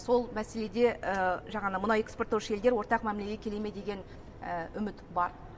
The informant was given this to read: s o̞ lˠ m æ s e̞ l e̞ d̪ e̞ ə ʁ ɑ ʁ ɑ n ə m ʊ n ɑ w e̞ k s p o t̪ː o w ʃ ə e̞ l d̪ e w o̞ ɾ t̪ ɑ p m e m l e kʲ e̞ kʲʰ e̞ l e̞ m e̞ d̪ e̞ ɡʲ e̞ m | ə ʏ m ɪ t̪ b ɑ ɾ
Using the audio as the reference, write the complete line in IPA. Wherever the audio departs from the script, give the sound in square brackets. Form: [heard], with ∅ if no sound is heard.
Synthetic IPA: s o̞ lˠ m æ s e̞ l e̞ d̪ e̞ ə [ʒ] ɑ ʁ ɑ n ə m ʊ n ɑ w e̞ k s p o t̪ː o w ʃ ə e̞ l d̪ e w o̞ ɾ t̪ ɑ [q] m [æ] m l e [ɡʲ] e̞ kʲʰ e̞ l e̞ m e̞ d̪ e̞ ɡʲ e̞ [n] | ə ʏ m ɪ t̪ b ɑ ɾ